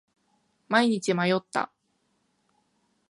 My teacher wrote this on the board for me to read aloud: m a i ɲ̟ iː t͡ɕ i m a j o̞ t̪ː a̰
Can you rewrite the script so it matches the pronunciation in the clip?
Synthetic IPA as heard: m a i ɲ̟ i t͡ɕ i m a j o̞ t̪ː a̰